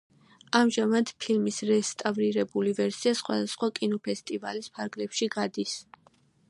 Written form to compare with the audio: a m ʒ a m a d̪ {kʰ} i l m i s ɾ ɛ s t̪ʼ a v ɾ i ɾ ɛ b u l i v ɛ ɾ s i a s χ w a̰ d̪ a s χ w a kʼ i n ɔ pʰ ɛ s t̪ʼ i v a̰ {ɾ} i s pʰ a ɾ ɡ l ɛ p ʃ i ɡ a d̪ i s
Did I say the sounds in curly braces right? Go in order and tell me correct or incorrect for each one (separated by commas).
incorrect, incorrect